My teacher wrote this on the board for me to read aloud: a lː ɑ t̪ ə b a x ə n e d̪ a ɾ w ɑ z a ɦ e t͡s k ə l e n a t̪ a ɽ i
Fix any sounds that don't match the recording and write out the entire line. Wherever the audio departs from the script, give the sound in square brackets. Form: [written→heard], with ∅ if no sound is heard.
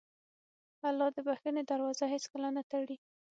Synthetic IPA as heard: a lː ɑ [t̪→d̪] ə b a x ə n e d̪ a ɾ w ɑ z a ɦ e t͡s k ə l [e→a] n a t̪ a ɽ i

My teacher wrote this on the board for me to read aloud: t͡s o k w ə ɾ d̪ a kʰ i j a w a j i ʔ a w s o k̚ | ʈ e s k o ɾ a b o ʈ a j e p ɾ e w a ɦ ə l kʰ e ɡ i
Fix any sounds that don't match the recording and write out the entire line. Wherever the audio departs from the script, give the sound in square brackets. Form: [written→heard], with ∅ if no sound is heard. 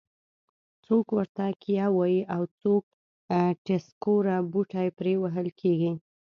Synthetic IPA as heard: t͡s o k w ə ɾ [d̪→t̪] a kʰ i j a w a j i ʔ a w [s→t͡s] o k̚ | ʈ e s k o ɾ a b [o→u] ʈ a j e p ɾ e w a ɦ ə l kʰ e ɡ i

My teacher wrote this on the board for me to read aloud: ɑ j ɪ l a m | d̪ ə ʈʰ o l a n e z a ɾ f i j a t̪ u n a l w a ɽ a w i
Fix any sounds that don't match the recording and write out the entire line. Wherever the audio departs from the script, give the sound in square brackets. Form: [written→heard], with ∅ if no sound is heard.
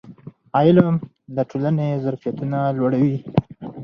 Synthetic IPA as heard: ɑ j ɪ l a m | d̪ ə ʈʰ o l a n e z a ɾ f i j a t̪ u n a l w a ɽ a w i

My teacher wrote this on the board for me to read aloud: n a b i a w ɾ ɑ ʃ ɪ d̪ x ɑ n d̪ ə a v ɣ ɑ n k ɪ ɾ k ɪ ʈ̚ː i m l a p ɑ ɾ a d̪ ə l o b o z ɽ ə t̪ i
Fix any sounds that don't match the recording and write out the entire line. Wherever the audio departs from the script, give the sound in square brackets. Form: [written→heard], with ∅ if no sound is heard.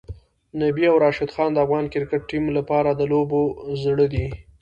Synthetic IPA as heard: n a b i a w ɾ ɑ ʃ ɪ d̪ x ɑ n d̪ ə a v ɣ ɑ n k ɪ ɾ k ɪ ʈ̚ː i m l a p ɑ ɾ a d̪ ə l o b o z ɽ ə [t̪→d̪] i

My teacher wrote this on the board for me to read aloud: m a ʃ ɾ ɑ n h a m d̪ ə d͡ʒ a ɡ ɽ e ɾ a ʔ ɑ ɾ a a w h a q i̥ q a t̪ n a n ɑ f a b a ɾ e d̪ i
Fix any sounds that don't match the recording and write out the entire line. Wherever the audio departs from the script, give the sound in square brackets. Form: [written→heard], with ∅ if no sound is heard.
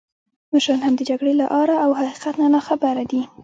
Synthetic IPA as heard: m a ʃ ɾ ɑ n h a m d̪ ə d͡ʒ a ɡ ɽ e [ɾ→l] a ʔ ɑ ɾ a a w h a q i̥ q a t̪ n a n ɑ [f→x] a b a ɾ [e→a] d̪ i

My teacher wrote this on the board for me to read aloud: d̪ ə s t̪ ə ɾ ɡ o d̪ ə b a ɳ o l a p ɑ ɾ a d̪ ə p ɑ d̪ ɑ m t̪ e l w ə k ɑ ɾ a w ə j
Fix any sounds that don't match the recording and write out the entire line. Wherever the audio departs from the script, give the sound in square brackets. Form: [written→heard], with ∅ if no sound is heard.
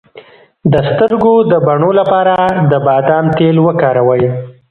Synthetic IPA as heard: d̪ ə s t̪ ə ɾ ɡ o d̪ ə b a ɳ o l a p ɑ ɾ a d̪ ə [p→b] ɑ d̪ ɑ m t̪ e l w ə k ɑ ɾ a w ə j

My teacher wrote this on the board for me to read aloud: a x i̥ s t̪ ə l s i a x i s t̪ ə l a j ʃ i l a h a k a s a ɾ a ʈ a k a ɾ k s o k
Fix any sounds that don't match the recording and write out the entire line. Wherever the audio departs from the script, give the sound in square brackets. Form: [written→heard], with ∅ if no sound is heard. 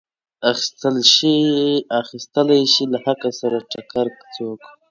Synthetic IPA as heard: a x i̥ s t̪ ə l [s→ʃ] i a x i s t̪ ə l a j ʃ i l a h a k a s a ɾ a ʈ a k a ɾ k [s→t͡s] o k

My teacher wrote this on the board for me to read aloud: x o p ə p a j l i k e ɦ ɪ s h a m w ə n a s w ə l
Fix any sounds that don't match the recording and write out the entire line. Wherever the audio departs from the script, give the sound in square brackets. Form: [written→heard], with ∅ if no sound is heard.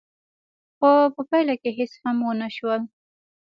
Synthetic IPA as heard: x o p ə p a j l [i→a] k e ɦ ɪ s h a m w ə n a [s→ʃ] w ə l

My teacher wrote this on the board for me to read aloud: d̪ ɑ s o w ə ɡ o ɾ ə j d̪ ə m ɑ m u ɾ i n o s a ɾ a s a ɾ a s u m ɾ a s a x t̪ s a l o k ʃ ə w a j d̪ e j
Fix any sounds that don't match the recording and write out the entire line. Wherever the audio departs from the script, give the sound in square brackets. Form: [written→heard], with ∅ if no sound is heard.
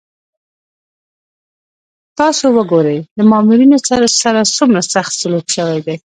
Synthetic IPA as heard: [d̪→t̪] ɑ s o w ə ɡ o ɾ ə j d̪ ə m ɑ m u ɾ i n o s a ɾ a s a ɾ a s u m ɾ a s a x t̪ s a l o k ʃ ə w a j d̪ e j

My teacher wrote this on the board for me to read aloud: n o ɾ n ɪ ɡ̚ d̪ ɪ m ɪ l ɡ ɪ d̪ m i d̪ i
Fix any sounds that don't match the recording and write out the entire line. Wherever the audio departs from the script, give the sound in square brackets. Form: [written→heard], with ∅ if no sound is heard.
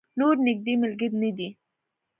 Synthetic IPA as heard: n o ɾ n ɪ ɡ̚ d̪ [ɪ→i] m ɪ l ɡ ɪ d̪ [m→n] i d̪ i

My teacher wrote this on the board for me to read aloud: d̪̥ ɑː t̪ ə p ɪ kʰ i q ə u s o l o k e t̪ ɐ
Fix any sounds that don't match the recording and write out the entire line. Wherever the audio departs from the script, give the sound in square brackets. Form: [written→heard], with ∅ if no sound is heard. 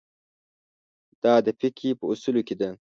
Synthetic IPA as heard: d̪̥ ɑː [t̪→d̪] ə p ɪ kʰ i [q→p] ə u s [o→u] l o k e [t̪→d̪] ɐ

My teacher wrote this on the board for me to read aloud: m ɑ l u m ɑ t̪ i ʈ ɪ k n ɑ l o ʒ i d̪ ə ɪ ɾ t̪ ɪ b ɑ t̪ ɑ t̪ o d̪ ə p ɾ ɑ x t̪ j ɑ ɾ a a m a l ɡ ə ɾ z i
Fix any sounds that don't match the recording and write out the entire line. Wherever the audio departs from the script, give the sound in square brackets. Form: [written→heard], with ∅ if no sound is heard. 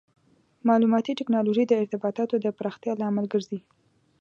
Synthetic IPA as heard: m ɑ l u m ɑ t̪ i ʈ ɪ k n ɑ l o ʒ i d̪ ə ɪ ɾ t̪ ɪ b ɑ t̪ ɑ t̪ o d̪ ə p ɾ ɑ x t̪ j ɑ [ɾ→l] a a m a l ɡ ə ɾ z i

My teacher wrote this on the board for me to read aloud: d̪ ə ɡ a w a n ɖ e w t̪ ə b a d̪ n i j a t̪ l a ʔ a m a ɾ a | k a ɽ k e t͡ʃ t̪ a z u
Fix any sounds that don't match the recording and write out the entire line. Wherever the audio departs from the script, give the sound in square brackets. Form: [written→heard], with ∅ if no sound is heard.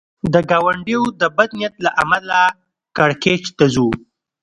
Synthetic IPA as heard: d̪ ə ɡ a w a [n→ɳ] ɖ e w [t̪→d̪] ə b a d̪ n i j a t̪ l a ʔ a m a [ɾ→l] a | k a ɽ k e t͡ʃ t̪ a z u

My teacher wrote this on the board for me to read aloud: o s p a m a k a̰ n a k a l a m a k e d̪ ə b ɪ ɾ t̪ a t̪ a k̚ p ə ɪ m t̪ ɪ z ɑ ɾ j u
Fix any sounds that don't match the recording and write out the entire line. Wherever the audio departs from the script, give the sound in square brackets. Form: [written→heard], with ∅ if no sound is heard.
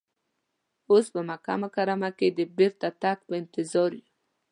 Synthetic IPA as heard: o s p [a→ə] m a k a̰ [n→m] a k a [l→ɾ] a m a k e d̪ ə b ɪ ɾ t̪ a t̪ a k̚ p ə ɪ [m→n] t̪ ɪ z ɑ ɾ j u

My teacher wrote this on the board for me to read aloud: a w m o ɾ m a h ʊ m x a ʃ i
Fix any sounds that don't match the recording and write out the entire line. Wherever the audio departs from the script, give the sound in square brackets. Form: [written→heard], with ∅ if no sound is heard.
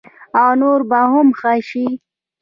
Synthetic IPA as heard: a w [m→n] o ɾ [m→b] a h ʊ m x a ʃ i

